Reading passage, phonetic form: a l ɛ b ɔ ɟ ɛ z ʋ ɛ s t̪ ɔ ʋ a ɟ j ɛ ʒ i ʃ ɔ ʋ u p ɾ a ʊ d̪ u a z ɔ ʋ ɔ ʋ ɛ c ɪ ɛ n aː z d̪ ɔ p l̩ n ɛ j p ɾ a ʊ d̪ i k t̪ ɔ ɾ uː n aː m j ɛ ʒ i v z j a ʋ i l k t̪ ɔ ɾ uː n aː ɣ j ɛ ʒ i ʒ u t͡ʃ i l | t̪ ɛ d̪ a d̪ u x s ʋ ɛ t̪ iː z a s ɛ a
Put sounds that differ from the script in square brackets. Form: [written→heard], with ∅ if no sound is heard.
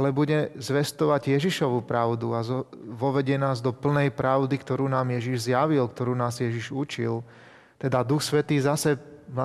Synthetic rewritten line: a l ɛ b [ɔ→u] ɟ ɛ z ʋ ɛ s t̪ ɔ ʋ a ɟ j ɛ ʒ i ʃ ɔ ʋ u p ɾ a ʊ d̪ u a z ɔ ʋ ɔ ʋ ɛ [c→ɟ] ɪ ɛ n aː z d̪ ɔ p l̩ n ɛ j p ɾ a ʊ d̪ i k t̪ ɔ ɾ uː n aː m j ɛ ʒ i [v→ʒ] z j a ʋ i l k t̪ ɔ ɾ uː n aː [ɣ→z] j ɛ ʒ i ʒ u t͡ʃ i l | t̪ ɛ d̪ a d̪ u x s ʋ ɛ t̪ iː z a s ɛ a